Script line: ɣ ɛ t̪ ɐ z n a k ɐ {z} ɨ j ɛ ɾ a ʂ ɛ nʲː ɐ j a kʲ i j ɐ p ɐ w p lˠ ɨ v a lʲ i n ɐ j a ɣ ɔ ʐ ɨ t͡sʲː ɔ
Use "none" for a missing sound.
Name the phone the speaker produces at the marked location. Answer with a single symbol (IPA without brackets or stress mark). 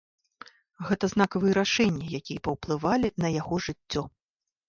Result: v